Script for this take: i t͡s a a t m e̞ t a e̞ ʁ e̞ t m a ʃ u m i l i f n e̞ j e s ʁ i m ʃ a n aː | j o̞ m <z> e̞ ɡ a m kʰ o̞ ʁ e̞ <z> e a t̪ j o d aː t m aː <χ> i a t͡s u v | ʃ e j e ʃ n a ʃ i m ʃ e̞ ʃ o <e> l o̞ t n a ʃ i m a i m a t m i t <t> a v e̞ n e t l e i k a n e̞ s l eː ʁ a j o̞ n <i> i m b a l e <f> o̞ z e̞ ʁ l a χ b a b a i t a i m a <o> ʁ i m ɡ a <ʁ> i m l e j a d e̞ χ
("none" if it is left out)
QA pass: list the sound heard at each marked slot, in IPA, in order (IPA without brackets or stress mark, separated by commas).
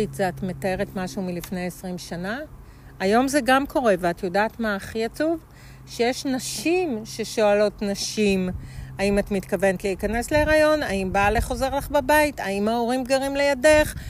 z, v, χ, a, k, a, χ, o, ʁ